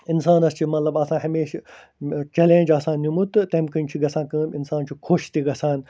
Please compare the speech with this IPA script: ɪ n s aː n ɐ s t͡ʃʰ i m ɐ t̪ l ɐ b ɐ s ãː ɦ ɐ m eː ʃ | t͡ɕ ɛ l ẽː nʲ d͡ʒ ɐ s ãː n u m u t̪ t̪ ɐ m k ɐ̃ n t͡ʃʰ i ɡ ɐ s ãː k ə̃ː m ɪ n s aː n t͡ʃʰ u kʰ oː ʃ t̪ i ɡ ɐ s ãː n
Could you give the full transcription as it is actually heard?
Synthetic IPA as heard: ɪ n s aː n ɐ s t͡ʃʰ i m ɐ t̪ l ɐ b ɐ s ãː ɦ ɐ m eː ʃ | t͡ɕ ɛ l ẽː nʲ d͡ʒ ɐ s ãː n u m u t̪ t̪ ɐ m k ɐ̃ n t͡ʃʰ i ɡ ɐ s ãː k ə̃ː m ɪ n s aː n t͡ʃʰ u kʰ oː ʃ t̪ i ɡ ɐ s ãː n